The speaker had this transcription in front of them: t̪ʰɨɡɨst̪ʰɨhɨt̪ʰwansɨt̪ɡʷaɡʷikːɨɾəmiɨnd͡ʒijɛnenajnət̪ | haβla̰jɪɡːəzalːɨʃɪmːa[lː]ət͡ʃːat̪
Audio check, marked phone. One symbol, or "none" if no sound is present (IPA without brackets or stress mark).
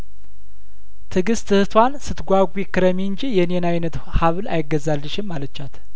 l